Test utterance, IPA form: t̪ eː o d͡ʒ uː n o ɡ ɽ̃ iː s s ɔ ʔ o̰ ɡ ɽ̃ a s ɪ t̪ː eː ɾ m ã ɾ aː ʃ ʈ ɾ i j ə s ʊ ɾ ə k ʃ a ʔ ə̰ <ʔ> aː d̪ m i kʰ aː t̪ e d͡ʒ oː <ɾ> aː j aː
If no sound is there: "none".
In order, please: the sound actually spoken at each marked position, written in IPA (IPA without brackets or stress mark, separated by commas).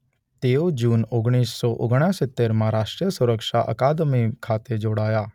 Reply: k, ɽ